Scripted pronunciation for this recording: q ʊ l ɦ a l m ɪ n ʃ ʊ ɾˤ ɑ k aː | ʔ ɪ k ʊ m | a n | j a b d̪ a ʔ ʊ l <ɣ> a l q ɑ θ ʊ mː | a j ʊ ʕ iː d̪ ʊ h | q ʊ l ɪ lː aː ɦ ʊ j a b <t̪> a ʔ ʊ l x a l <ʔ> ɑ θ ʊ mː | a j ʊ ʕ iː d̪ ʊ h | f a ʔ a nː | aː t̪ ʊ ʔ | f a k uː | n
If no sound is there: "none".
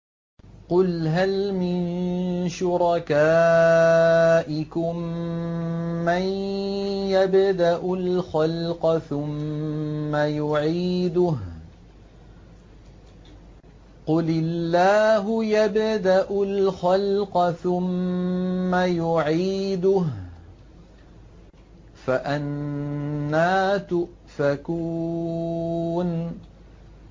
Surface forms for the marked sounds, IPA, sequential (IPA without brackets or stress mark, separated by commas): x, d̪, q